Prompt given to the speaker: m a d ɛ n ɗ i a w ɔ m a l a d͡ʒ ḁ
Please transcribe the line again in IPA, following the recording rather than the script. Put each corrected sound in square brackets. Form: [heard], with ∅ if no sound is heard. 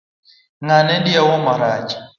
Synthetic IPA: [ŋ] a [n] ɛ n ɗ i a w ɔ m a [ɾ] a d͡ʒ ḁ